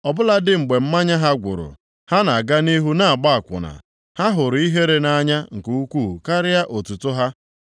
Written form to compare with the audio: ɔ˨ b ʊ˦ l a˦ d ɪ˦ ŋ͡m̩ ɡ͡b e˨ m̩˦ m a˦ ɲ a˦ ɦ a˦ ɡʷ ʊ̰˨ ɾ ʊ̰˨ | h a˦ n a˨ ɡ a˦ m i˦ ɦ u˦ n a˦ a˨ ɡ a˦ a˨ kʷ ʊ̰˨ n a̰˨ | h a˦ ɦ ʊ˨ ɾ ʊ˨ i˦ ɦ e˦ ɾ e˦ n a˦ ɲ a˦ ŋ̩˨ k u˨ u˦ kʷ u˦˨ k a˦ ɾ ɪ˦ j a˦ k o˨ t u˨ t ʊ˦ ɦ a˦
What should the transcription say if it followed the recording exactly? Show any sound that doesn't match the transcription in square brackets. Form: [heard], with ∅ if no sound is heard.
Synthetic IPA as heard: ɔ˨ b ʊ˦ l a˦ d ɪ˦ ŋ͡m̩ ɡ͡b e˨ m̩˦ m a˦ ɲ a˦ ɦ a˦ ɡʷ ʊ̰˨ ɾ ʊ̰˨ | h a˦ n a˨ ɡ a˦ [n] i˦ ɦ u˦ n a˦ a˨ [ɡ͡b] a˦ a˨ kʷ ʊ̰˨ n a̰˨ | h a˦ ɦ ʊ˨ ɾ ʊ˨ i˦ ɦ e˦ ɾ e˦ n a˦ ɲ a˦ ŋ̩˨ k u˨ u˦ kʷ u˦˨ k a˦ ɾ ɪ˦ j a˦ [ʔ] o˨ t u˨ t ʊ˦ ɦ a˦